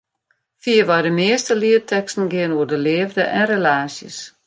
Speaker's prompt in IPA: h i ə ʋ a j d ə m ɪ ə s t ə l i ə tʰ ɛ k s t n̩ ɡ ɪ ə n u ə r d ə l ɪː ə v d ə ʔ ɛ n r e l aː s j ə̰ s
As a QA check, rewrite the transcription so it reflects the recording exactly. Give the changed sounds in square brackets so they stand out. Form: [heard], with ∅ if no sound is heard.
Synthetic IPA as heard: [f] i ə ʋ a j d ə m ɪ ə s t ə l i ə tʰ ɛ k s t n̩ ɡ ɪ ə n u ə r d ə l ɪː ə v d ə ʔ ɛ n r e l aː s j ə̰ s